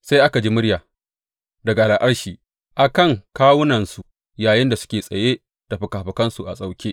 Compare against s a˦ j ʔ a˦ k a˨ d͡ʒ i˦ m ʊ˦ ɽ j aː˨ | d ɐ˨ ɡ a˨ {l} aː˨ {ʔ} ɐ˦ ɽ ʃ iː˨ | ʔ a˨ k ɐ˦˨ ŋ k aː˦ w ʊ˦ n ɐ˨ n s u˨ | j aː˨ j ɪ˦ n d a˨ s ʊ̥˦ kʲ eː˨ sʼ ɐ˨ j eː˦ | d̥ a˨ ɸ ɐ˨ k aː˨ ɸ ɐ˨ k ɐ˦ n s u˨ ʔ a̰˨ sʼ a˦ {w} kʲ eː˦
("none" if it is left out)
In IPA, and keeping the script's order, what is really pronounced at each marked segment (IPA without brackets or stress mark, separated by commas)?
l, ʔ, w